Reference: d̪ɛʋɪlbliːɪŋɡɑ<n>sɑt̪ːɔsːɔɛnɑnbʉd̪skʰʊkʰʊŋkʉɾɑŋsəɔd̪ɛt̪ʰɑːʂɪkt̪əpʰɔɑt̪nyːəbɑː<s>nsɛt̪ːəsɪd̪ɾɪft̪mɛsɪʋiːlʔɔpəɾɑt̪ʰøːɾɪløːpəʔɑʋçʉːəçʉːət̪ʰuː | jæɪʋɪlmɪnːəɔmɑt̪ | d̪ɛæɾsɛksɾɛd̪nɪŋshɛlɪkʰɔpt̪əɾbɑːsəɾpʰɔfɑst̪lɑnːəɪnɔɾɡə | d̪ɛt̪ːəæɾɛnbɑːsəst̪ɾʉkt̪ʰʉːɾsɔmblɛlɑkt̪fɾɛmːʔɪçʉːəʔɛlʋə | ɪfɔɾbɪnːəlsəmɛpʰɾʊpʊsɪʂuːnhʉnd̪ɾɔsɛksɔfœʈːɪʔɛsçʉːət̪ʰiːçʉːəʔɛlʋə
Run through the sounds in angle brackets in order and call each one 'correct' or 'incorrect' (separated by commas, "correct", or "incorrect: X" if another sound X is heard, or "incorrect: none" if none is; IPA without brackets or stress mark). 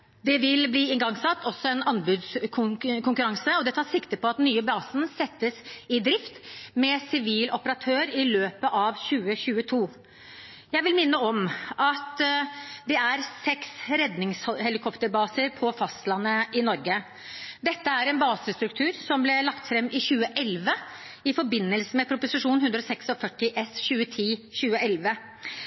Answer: incorrect: ŋ, correct